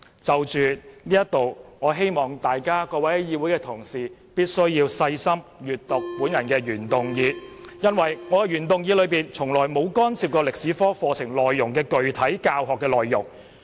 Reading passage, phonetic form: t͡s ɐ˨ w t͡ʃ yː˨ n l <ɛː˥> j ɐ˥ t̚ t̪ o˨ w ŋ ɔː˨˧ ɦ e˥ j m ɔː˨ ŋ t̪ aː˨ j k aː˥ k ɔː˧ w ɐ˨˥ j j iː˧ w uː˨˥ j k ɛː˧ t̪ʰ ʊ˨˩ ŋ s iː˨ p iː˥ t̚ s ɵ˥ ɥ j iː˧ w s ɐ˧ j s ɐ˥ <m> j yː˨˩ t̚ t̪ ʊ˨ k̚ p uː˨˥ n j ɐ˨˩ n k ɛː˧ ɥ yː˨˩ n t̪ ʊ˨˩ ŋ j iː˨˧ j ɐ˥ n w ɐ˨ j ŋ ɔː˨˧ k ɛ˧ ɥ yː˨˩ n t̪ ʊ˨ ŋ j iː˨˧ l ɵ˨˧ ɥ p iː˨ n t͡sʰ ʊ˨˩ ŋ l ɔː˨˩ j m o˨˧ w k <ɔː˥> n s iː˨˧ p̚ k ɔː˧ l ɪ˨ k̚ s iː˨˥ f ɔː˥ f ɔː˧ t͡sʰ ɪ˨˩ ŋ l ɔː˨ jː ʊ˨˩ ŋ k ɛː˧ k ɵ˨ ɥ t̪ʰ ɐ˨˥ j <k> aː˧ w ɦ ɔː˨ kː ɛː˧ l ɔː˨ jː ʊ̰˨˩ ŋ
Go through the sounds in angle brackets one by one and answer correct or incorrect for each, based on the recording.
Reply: incorrect, correct, correct, correct

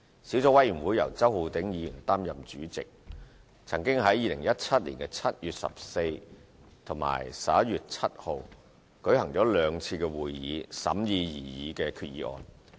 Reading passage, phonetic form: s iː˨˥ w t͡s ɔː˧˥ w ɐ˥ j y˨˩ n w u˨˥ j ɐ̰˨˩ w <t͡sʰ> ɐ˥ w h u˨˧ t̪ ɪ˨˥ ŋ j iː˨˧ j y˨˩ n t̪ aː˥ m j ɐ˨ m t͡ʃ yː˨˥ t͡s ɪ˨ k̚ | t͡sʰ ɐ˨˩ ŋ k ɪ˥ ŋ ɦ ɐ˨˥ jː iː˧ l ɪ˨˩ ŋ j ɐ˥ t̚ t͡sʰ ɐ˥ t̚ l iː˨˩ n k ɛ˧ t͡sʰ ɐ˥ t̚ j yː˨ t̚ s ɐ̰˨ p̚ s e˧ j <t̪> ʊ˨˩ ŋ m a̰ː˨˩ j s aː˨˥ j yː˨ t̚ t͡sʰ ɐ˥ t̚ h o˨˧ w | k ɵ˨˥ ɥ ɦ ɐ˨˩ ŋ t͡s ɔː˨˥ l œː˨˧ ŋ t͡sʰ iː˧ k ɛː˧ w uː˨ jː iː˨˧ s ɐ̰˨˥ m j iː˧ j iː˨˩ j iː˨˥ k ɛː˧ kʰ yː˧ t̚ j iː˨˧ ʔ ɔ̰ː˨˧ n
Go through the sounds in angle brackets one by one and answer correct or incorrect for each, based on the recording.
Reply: incorrect, incorrect

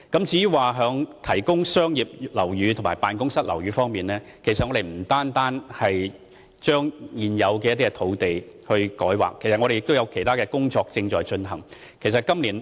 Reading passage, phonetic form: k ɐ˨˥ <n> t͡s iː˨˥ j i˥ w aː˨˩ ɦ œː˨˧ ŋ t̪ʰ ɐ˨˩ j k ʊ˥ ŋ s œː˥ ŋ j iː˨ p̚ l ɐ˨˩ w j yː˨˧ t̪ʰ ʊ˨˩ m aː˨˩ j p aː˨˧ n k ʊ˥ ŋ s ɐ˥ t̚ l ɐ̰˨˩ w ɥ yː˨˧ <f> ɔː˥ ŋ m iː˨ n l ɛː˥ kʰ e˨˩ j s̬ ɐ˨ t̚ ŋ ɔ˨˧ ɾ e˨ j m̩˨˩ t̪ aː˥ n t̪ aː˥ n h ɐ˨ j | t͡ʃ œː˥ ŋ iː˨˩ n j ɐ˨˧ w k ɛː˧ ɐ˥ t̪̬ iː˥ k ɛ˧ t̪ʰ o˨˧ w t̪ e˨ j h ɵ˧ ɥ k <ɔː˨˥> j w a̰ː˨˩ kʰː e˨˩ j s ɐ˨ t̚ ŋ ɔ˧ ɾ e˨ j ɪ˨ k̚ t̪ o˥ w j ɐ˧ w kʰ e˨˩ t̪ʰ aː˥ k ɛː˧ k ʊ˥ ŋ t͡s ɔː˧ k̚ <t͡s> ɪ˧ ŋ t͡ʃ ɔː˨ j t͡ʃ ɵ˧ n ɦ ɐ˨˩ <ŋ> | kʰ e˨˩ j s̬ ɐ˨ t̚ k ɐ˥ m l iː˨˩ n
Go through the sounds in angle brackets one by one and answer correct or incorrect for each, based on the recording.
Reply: incorrect, correct, correct, correct, correct

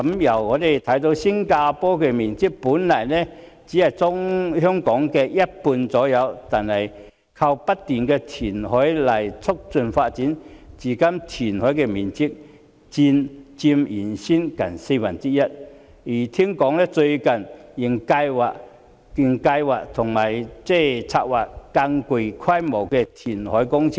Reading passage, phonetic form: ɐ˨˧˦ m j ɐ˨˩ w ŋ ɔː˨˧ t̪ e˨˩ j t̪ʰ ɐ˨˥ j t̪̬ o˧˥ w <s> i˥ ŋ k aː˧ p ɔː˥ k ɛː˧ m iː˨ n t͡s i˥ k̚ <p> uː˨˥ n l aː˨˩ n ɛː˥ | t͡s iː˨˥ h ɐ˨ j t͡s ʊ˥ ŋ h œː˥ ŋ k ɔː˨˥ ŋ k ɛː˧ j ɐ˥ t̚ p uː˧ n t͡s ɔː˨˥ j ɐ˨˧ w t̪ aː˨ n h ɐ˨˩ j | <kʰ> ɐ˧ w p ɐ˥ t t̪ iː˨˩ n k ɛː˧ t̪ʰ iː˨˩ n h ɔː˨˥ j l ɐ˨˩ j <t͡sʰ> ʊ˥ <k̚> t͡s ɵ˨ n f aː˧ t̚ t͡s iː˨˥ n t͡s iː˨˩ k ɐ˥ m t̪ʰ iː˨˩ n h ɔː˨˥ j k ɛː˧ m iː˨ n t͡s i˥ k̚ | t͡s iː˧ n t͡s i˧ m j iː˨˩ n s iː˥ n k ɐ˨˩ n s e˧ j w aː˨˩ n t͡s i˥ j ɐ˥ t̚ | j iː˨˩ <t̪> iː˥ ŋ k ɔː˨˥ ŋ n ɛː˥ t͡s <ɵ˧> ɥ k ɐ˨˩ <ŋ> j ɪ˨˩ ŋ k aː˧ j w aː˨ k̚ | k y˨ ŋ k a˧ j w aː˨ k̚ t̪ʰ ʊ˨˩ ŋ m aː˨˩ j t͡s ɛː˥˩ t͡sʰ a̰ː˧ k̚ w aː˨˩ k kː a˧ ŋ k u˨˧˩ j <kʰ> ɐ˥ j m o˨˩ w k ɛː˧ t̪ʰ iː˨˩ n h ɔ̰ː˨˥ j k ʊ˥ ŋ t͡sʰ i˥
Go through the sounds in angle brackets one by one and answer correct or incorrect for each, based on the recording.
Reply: correct, correct, correct, correct, correct, incorrect, correct, incorrect, correct

